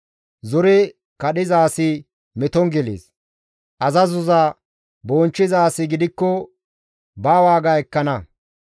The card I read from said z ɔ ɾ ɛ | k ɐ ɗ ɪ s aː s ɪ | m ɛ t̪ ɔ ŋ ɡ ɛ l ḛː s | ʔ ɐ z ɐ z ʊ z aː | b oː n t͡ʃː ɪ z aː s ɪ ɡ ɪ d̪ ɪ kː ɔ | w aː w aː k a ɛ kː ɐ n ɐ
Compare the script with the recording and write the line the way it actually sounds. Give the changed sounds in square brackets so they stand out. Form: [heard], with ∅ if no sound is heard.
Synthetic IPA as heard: z ɔ ɾ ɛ | k ɐ ɗ ɪ [z] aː s ɪ | m ɛ t̪ ɔ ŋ ɡ ɛ l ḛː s | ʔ ɐ z ɐ z ʊ z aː | b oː n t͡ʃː ɪ z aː s ɪ ɡ ɪ d̪ ɪ kː ɔ | [b] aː w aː [ɡ] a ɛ kː ɐ n ɐ